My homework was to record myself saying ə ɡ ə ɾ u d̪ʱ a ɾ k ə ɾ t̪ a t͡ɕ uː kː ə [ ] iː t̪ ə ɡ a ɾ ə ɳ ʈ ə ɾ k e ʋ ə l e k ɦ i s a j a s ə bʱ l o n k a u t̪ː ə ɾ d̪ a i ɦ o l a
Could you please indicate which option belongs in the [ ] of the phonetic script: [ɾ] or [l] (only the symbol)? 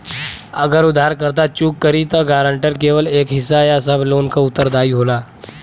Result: ɾ